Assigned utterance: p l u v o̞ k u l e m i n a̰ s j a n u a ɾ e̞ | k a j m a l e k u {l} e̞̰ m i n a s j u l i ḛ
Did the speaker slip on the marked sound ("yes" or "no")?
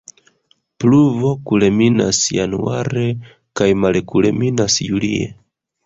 no